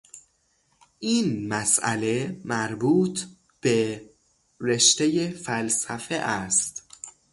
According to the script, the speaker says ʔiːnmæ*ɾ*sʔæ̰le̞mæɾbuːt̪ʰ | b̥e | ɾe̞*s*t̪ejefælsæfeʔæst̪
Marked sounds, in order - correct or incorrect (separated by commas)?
incorrect, incorrect